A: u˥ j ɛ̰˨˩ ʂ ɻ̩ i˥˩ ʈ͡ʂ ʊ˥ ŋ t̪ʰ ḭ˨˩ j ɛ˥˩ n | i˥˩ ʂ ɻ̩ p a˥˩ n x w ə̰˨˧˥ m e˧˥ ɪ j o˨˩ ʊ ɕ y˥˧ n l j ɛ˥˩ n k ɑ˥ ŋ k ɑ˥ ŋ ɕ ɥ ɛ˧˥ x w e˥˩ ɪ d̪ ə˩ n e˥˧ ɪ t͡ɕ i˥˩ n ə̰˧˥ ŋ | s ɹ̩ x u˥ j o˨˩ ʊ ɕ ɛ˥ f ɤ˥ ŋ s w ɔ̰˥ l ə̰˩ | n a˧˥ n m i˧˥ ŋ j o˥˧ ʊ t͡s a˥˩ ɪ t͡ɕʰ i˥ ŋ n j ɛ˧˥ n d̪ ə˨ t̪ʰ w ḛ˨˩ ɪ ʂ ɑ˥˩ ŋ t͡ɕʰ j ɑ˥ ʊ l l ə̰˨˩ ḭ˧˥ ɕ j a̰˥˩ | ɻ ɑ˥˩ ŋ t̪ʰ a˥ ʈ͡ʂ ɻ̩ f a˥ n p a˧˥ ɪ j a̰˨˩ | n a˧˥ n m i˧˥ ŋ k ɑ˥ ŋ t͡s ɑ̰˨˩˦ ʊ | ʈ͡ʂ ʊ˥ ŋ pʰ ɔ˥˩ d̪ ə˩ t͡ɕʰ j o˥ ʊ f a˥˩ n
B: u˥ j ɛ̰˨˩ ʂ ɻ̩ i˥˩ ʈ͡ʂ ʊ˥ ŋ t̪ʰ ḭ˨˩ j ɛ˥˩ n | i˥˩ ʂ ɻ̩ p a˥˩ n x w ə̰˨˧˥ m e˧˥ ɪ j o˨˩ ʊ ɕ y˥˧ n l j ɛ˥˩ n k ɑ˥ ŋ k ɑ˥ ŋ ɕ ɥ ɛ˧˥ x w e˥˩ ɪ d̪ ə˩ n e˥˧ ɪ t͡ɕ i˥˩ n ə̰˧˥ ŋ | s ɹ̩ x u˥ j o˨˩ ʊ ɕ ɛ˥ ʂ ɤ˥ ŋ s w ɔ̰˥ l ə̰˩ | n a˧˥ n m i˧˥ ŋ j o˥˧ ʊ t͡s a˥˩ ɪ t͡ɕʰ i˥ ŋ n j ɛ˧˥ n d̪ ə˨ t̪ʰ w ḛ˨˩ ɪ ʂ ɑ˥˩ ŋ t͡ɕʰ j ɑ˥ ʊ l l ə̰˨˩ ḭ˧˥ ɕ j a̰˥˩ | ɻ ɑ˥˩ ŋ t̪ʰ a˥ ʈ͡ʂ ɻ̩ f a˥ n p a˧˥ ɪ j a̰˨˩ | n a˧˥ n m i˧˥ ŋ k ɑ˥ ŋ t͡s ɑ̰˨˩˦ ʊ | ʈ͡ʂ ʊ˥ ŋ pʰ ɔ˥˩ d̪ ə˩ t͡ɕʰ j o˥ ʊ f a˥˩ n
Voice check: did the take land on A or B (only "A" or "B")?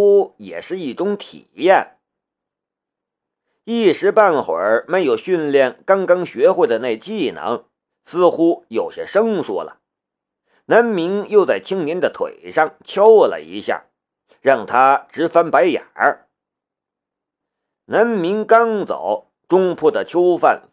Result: B